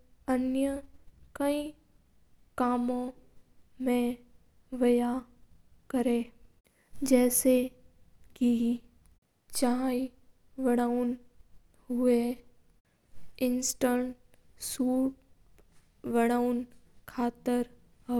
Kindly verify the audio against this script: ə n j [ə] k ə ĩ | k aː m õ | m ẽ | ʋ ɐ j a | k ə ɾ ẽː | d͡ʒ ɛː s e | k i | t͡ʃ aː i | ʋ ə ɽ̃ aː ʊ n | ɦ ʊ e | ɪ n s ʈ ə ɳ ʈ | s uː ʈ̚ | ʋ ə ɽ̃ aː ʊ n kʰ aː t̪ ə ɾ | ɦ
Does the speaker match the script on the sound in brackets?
yes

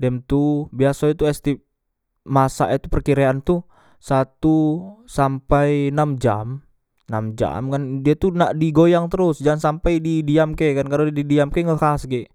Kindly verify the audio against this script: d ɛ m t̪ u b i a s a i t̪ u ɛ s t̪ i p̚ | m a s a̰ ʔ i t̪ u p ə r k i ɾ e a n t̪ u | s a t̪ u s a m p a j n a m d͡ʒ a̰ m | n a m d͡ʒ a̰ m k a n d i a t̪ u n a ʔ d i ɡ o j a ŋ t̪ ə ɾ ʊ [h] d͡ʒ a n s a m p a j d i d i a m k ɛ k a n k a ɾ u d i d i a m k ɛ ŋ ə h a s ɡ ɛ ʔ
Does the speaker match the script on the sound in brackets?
no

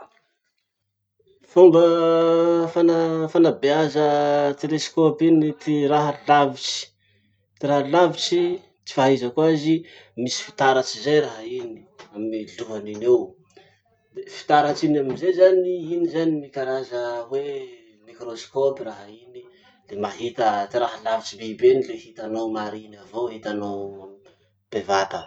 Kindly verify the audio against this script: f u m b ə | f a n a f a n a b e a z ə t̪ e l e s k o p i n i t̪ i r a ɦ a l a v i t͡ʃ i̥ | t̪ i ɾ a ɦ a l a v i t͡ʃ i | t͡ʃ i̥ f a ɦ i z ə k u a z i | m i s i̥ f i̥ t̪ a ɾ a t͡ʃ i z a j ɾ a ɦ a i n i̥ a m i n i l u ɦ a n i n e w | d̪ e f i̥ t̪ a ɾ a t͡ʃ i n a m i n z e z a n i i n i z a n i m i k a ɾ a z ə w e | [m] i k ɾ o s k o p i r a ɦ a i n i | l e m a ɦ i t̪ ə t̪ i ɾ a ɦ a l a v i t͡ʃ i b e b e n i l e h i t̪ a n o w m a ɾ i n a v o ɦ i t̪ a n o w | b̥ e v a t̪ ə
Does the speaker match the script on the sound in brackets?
yes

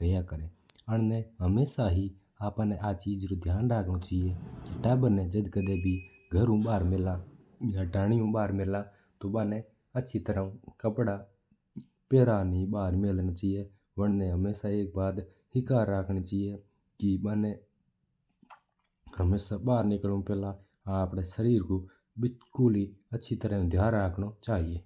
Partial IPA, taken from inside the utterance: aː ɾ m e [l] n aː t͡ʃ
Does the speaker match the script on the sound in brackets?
yes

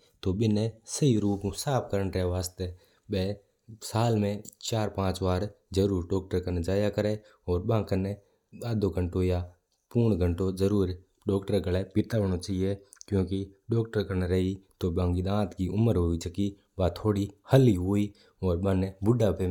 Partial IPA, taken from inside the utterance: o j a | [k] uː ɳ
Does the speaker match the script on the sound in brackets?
no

